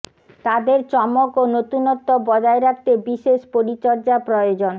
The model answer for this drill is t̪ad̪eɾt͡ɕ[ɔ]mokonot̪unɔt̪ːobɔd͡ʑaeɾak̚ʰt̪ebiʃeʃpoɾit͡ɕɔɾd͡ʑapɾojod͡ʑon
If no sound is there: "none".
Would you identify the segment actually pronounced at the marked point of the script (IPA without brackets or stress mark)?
ɔ